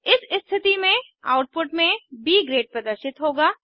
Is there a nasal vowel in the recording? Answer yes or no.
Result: yes